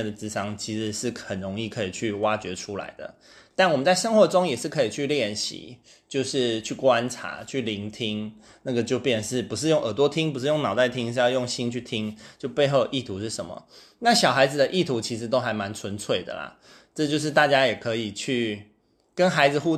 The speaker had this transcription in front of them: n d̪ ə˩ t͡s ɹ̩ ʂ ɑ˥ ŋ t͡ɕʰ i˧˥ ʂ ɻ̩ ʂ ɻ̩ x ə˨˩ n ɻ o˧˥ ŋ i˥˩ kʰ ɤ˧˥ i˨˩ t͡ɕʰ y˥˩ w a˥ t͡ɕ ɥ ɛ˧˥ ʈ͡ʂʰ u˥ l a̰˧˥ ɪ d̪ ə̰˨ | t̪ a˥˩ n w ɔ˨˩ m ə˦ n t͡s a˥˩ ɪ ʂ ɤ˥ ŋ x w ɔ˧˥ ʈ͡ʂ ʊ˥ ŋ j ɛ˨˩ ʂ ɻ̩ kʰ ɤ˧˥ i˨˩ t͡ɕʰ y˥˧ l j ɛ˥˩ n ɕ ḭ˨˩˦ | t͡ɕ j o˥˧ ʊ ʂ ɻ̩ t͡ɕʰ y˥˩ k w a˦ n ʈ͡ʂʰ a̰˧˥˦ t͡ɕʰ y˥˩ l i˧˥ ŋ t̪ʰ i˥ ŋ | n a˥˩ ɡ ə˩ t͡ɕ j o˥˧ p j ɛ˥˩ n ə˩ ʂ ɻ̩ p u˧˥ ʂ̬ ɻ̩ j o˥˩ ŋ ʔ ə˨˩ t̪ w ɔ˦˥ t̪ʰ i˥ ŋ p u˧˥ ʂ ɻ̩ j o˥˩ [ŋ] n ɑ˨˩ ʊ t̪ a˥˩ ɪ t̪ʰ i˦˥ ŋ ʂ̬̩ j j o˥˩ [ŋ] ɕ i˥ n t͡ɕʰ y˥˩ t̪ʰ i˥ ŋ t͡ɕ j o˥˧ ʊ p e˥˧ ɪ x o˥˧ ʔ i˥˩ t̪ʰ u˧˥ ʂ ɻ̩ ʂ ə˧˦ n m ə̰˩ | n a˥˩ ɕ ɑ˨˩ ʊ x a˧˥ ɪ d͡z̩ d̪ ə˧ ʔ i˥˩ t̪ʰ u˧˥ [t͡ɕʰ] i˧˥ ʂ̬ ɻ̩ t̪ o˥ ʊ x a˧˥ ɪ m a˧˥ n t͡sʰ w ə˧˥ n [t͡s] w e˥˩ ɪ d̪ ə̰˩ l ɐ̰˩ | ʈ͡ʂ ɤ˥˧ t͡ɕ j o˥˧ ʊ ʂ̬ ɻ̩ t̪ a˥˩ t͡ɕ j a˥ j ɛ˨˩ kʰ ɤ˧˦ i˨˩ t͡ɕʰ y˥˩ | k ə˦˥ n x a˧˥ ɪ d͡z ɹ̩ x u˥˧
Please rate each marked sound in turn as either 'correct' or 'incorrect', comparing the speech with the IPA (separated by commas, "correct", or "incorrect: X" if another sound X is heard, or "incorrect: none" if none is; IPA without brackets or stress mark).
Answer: correct, correct, correct, incorrect: t͡sʰ